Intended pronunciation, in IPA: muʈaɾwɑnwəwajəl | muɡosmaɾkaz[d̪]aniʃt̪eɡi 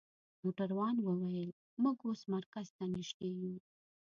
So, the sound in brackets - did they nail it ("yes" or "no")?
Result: no